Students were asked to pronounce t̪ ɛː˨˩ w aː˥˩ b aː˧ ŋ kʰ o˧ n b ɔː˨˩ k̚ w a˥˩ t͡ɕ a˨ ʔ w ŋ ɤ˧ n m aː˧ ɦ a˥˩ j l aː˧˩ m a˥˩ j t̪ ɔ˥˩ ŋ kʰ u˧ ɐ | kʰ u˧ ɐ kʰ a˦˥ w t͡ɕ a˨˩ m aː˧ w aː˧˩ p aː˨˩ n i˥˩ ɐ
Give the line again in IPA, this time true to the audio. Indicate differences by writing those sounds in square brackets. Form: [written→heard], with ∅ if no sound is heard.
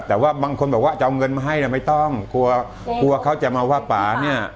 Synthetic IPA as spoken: t̪ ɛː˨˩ w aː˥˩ b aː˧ ŋ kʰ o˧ n b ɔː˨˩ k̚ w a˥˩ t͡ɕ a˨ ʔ w ŋ ɤ˧ n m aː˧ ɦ a˥˩ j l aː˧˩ m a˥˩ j t̪ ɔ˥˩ ŋ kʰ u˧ ɐ | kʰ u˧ ɐ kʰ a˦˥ w t͡ɕ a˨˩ m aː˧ w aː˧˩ p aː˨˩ n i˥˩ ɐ